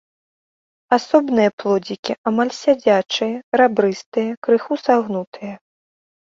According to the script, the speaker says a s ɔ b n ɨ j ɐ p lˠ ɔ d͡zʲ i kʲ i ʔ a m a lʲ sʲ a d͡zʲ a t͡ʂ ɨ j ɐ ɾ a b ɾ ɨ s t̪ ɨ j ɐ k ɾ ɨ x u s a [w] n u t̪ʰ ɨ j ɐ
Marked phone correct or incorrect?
incorrect